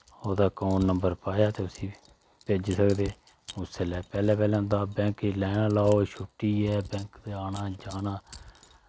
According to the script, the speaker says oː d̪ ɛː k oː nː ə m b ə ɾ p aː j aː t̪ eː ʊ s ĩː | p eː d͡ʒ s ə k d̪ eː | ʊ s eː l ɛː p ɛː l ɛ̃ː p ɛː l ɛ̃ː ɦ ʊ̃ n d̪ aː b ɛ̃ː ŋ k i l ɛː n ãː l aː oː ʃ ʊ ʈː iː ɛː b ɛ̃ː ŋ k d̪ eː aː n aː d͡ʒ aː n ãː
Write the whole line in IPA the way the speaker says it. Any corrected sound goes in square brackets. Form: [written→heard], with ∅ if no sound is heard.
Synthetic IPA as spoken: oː d̪ [ɛː→aː] k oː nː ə m b ə ɾ p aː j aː t̪ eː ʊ s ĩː | p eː d͡ʒ s ə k d̪ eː | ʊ s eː l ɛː p ɛː l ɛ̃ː p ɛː l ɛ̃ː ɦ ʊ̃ n d̪ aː b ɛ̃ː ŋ k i l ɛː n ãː l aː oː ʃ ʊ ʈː iː ɛː b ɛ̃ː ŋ k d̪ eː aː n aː d͡ʒ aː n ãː